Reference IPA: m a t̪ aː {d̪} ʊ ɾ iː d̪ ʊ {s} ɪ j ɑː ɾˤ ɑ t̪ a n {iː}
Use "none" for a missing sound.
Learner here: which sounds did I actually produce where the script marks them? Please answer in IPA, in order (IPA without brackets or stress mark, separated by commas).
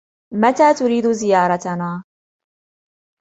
t̪, z, aː